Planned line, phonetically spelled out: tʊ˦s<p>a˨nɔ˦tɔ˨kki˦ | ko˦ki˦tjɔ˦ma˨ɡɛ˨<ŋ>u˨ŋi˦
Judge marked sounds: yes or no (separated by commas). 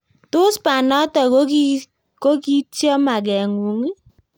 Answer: yes, yes